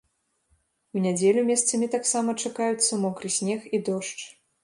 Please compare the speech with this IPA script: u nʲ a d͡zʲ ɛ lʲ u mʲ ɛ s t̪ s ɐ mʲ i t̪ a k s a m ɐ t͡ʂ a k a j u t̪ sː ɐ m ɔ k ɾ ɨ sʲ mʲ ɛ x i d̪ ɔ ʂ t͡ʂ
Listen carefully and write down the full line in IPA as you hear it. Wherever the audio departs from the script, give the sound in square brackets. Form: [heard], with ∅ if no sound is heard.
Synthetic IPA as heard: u nʲ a d͡zʲ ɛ lʲ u mʲ ɛ s t̪ s ɐ mʲ i t̪ a k s a m ɐ t͡ʂ a k a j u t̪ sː ɐ m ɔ k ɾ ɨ sʲ [nʲ] ɛ x i d̪ ɔ ʂ t͡ʂ